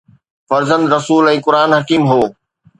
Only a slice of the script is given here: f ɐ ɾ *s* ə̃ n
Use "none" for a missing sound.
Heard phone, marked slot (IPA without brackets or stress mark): z